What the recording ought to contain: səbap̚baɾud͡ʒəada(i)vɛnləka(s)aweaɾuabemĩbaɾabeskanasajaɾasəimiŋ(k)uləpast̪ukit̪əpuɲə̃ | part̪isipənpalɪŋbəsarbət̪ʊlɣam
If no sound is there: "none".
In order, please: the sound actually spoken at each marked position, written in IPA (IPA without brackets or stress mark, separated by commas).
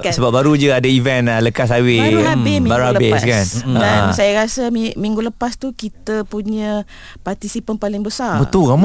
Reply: i, s, ɡ